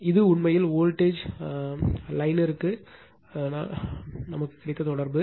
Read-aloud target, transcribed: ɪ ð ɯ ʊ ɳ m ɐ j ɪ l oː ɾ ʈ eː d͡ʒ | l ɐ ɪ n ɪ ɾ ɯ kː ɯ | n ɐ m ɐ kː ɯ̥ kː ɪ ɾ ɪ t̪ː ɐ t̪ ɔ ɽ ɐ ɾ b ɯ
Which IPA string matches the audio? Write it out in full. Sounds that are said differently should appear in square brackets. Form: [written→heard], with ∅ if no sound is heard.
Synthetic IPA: ɪ ð ɯ ʊ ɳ m ɐ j ɪ l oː [ɾ→l] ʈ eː d͡ʒ | l ɐ ɪ n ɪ ɾ ɯ kː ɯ | n ɐ m ɐ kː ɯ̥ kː ɪ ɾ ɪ t̪ː ɐ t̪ ɔ ɽ ɐ ɾ b ɯ